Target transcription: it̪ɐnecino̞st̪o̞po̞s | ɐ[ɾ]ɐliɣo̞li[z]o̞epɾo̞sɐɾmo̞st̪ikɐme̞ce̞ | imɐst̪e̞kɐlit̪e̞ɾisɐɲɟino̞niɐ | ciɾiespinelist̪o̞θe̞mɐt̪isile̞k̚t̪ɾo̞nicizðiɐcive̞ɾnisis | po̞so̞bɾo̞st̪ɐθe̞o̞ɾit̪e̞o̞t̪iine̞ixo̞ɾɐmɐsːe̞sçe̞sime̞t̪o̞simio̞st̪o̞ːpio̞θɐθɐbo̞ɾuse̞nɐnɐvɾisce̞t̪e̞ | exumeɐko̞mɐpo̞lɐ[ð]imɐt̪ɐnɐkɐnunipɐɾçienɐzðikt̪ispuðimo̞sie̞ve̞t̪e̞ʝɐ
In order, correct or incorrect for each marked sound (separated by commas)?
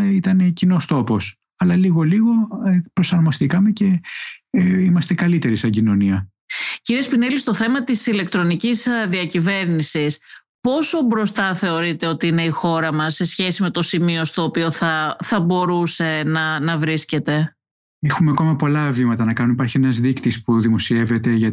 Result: incorrect, incorrect, incorrect